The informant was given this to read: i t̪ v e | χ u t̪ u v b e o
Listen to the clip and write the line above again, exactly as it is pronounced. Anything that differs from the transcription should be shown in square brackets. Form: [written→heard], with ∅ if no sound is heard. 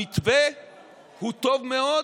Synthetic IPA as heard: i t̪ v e | [χ→h] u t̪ [u→o] v [b→m] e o